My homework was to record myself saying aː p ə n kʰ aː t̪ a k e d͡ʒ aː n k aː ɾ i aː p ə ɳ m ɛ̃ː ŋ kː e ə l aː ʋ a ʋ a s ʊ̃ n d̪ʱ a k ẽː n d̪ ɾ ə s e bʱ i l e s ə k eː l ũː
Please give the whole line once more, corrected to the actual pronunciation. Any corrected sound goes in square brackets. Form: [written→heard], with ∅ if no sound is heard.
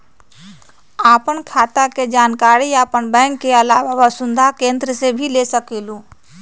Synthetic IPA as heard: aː p ə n kʰ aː t̪ a k e d͡ʒ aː n k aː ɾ i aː p ə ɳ [m→b] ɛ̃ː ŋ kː e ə l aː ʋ a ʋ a s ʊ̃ n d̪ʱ a k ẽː n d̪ ɾ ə s e bʱ i l e s ə k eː l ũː